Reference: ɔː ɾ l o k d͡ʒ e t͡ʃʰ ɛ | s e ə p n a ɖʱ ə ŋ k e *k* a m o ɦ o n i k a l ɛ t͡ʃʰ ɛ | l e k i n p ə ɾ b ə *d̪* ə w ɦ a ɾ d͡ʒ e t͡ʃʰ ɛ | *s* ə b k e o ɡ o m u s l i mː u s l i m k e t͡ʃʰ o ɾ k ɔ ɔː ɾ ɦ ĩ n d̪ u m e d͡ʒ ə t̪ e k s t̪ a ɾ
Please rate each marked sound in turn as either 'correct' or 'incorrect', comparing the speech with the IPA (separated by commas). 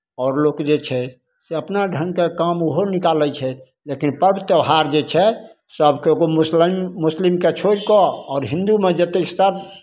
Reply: correct, incorrect, correct